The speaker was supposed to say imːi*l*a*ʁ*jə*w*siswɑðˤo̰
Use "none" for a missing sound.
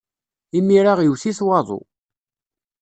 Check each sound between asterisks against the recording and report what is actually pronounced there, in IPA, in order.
ɾ, ʁ, w

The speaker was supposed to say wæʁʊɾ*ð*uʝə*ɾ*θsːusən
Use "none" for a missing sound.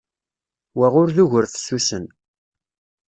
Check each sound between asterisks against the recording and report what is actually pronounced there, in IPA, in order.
ð, ɾ

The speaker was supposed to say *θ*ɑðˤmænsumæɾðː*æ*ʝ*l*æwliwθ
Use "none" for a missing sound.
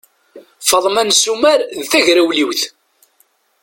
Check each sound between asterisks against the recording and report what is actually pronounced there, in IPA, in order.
f, æ, ɾ

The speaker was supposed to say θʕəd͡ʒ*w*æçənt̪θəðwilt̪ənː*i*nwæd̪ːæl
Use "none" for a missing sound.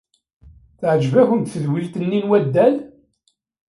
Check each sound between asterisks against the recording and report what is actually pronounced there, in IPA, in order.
v, i

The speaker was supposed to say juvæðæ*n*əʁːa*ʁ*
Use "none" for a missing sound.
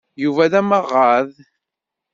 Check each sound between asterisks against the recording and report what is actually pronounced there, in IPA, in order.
m, ð

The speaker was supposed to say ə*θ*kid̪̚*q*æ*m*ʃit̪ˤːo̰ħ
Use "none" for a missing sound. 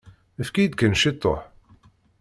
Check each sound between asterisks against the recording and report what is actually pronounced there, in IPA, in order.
f, k, n

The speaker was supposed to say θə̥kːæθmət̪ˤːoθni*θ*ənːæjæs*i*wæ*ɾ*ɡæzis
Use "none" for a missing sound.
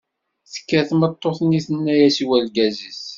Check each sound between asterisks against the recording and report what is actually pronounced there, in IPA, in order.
θ, i, l

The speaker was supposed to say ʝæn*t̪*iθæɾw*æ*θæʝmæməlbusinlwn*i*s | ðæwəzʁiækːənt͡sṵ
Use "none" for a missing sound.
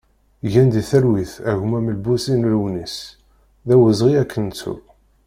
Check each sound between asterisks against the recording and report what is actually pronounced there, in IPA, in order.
d̪, i, i

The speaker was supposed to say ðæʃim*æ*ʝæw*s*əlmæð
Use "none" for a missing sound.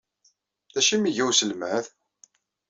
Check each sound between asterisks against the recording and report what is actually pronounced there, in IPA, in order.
i, s

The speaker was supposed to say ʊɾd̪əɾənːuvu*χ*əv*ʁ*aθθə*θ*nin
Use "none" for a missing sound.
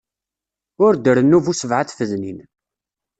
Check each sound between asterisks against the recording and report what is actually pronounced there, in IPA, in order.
s, ʕ, ð

